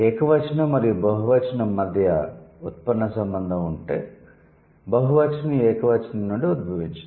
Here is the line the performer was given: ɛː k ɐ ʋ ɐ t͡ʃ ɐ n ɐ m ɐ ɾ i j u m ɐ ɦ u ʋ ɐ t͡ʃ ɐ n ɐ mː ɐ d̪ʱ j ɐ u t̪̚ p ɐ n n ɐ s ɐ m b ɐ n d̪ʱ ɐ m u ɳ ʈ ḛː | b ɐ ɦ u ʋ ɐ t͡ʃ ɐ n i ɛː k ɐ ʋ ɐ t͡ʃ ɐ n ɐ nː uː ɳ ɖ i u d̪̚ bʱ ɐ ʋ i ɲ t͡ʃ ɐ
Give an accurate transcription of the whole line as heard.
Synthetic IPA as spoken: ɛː k ɐ ʋ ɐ t͡ʃ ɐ n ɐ m ɐ ɾ i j u b ɐ ɦ u ʋ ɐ t͡ʃ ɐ n ɐ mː ɐ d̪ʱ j ɐ u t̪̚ p ɐ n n ɐ s ɐ m b ɐ n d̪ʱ ɐ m u ɳ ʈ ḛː | b ɐ ɦ u ʋ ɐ t͡ʃ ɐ n i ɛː k ɐ ʋ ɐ t͡ʃ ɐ n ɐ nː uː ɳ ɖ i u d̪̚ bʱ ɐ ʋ i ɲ t͡ʃ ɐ